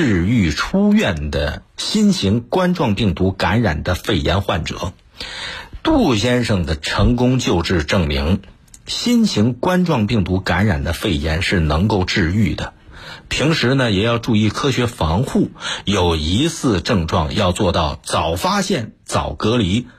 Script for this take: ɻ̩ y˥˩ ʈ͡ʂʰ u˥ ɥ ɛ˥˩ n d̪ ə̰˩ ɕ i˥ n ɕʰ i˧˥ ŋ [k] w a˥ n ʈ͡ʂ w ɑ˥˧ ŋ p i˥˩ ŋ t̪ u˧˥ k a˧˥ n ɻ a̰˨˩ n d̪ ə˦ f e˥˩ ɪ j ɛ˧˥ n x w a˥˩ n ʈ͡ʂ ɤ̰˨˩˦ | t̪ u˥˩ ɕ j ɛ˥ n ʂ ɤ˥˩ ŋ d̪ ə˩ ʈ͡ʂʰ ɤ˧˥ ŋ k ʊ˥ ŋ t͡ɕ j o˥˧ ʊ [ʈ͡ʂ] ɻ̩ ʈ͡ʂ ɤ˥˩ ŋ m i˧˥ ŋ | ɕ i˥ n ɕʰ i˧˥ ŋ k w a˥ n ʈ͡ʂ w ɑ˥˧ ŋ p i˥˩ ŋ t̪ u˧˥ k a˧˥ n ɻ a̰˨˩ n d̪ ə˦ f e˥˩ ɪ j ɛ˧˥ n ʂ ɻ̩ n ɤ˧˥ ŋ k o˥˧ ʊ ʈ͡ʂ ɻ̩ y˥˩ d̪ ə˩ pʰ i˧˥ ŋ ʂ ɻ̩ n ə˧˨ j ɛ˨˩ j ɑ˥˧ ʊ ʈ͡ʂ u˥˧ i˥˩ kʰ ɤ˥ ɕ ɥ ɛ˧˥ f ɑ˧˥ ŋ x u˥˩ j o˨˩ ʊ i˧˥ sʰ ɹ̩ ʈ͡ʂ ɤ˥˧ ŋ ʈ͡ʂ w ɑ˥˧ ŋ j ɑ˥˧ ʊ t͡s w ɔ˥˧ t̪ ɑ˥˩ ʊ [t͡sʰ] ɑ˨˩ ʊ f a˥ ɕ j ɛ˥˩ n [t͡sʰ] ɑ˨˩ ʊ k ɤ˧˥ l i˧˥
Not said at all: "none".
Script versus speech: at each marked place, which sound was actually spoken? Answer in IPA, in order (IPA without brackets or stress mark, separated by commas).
k, ʈ͡ʂ, t͡s, t͡s